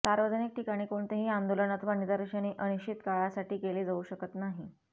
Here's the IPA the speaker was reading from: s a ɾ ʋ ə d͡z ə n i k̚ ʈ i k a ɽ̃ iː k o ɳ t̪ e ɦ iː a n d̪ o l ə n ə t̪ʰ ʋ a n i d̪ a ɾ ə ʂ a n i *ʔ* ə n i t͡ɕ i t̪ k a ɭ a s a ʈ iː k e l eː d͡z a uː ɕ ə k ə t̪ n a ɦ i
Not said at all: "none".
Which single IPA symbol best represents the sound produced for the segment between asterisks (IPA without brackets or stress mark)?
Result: ʔ